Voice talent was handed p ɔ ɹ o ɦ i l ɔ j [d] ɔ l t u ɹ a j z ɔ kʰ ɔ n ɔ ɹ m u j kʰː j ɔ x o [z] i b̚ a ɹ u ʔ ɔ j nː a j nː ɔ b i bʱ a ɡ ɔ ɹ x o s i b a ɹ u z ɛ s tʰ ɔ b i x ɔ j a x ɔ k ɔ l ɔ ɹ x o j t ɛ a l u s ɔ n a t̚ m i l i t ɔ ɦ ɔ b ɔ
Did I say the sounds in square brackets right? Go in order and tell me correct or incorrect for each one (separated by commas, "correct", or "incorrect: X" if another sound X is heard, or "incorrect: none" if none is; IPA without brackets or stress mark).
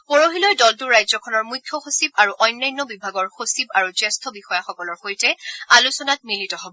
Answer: correct, incorrect: s